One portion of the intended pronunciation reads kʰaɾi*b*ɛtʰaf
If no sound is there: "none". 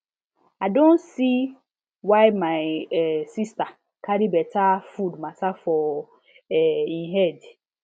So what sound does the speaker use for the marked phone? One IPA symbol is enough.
b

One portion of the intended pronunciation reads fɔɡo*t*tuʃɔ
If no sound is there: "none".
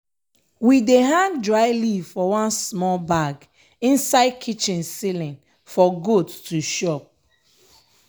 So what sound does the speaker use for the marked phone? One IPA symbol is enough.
t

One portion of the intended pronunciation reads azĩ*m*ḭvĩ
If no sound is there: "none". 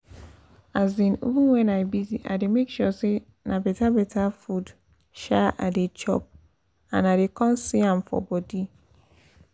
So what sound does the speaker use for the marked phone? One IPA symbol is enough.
n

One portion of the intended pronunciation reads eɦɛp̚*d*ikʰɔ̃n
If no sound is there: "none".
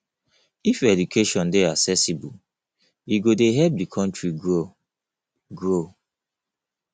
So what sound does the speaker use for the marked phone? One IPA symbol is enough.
d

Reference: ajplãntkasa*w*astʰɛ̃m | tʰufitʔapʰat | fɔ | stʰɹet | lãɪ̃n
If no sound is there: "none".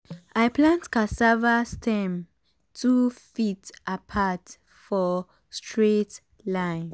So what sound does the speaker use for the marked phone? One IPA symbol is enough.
v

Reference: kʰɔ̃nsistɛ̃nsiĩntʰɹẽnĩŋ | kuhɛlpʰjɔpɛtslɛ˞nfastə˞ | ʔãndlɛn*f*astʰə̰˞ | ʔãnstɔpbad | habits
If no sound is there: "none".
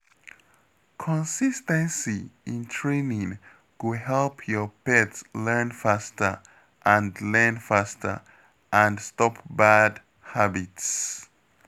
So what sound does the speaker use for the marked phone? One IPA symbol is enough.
f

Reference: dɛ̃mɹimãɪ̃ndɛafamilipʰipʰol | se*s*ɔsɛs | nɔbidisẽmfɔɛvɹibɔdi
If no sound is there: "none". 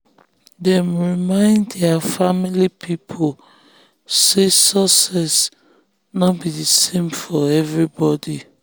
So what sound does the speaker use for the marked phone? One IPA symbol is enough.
s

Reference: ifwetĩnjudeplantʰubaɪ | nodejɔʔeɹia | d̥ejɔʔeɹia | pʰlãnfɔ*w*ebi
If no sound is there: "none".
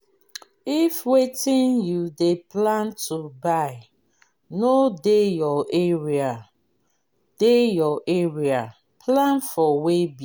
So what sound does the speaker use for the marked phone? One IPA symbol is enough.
w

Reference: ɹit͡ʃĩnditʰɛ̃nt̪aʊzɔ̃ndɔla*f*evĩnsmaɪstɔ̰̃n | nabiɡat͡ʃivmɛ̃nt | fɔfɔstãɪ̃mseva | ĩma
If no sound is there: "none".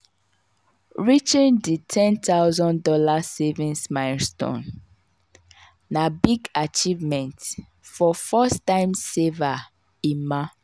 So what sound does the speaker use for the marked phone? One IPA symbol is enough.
s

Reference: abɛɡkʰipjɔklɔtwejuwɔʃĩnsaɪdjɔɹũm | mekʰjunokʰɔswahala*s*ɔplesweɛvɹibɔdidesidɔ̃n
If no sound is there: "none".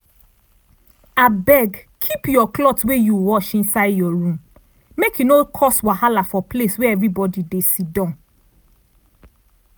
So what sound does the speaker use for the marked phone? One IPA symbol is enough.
f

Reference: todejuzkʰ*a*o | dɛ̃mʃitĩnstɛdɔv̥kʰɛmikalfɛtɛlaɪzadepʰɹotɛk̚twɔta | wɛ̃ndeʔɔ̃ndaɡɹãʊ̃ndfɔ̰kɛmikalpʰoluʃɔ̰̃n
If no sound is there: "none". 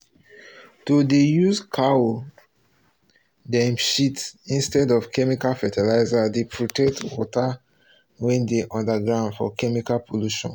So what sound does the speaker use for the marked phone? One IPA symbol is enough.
a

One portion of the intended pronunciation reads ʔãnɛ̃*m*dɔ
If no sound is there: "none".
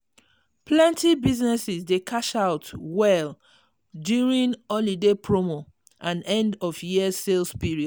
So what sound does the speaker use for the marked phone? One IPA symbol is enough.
n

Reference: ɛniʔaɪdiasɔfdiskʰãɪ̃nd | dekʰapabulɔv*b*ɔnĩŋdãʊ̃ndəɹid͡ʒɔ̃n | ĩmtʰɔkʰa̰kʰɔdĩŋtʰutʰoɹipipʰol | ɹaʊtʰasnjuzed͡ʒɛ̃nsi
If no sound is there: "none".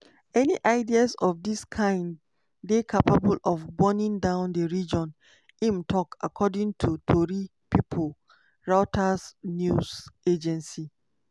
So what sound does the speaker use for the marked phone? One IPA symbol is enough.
b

